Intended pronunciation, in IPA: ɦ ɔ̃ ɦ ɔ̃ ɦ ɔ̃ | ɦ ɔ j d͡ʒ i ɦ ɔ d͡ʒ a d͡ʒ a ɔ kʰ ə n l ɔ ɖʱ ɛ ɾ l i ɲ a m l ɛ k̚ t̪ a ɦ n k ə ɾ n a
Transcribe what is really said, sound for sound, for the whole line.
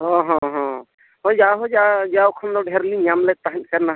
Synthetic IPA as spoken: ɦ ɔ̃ ɦ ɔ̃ ɦ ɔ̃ | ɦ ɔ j d͡ʒ a ɦ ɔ d͡ʒ a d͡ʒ a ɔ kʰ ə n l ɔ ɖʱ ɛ ɾ l i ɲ a m l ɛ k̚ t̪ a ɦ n k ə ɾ n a

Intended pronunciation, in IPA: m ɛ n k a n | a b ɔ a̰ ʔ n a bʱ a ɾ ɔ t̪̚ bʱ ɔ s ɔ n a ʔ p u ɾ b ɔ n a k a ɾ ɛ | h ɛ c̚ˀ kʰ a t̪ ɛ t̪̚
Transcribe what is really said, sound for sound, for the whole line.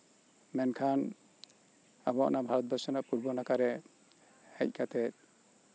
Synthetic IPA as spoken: m ɛ n kʰ a n | a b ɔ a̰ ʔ n a bʱ a ɾ ɔ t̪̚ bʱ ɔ s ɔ n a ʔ p u ɾ b ɔ n a k a ɾ ɛ | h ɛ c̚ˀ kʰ a t̪ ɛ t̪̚

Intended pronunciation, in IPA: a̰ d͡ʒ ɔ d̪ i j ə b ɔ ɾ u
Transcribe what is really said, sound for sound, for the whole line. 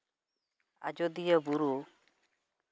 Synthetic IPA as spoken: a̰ d͡ʒ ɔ d̪ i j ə b u ɾ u

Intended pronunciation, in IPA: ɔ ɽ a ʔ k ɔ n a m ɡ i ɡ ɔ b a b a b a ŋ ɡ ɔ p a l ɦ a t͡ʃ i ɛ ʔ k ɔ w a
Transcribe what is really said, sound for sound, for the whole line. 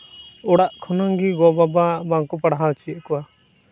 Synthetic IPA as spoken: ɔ ɽ a ʔ kʰ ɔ n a ŋ ɡ i ɡ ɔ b a b a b a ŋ k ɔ p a ɽ ɦ a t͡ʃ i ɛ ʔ k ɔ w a

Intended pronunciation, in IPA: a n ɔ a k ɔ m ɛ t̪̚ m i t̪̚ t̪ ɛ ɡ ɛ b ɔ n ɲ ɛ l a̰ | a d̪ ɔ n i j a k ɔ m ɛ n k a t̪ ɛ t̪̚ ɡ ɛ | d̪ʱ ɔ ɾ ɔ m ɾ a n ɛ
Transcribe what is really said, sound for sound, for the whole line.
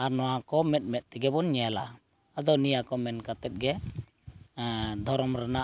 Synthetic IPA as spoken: a n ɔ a k ɔ m ɛ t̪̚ m ɛ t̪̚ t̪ ɛ ɡ ɛ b ɔ n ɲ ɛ l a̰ | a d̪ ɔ n i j a k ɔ m ɛ n k a t̪ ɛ t̪̚ ɡ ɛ | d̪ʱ ɔ ɾ ɔ m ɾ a n a

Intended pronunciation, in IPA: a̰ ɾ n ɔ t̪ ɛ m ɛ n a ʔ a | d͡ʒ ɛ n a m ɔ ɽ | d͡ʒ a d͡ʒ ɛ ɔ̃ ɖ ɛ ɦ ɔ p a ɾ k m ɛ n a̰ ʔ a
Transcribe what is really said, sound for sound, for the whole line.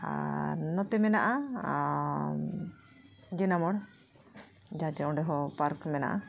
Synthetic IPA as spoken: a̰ ɾ n ɔ t̪ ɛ m ɛ n a ʔ a | d͡ʒ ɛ n a m ɔ ɽ | d͡ʒ a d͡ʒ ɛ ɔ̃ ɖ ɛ ɦ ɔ p a ɾ k m ɛ n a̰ ʔ a

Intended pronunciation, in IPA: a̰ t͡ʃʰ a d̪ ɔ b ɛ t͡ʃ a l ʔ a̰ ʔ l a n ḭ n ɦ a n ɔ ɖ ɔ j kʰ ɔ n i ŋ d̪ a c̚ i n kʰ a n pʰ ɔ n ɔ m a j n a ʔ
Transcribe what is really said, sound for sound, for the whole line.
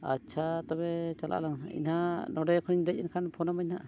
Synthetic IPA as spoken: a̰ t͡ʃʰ a t̪ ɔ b ɛ t͡ʃ a l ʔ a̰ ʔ l a ŋ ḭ n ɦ a n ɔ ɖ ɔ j kʰ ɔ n i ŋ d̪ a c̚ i n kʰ a n pʰ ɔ n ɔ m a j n a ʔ

